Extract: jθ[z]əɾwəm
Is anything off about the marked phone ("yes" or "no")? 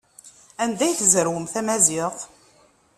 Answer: no